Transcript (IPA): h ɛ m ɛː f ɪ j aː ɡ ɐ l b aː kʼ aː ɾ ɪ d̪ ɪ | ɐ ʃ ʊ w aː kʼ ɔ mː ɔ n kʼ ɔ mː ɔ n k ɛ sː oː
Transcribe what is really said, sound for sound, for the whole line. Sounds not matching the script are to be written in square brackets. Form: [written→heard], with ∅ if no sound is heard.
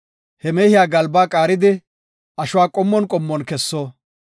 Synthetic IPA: h ɛ m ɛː [f→h] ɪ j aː ɡ ɐ l b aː kʼ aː ɾ ɪ d̪ ɪ | ɐ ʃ ʊ w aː kʼ ɔ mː ɔ n kʼ ɔ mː ɔ n k ɛ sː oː